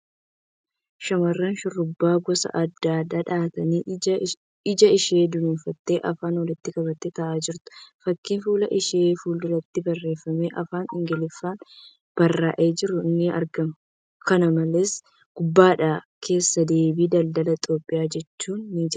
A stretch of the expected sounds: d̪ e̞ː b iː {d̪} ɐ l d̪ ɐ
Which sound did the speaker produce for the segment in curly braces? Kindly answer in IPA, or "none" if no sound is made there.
d̪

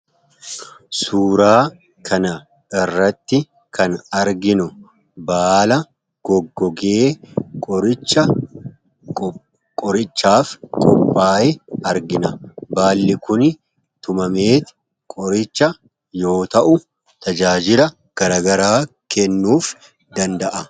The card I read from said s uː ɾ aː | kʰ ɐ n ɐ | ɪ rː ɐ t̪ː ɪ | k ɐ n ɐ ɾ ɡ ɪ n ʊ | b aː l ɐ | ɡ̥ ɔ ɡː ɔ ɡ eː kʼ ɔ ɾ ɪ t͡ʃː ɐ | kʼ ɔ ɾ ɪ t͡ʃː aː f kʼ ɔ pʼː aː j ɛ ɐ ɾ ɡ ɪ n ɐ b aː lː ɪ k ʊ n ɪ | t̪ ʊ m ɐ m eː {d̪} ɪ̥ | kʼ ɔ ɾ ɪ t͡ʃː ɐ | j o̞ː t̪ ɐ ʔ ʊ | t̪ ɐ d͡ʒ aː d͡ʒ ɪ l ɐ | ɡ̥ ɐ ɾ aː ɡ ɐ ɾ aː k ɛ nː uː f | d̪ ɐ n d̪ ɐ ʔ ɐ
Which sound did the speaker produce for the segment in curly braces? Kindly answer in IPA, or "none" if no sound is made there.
t̪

